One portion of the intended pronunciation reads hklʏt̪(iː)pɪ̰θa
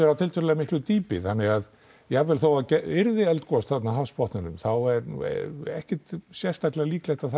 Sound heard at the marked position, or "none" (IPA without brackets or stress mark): iː